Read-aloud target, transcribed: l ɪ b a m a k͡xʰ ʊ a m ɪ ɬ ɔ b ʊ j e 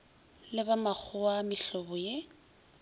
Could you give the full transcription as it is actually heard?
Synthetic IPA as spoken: l ɪ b a m a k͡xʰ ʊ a m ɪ ɬ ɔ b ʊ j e